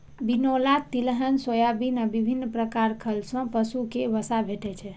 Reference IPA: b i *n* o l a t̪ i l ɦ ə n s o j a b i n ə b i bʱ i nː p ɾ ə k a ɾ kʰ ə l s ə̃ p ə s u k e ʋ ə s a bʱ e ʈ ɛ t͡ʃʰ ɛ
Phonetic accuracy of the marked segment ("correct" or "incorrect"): correct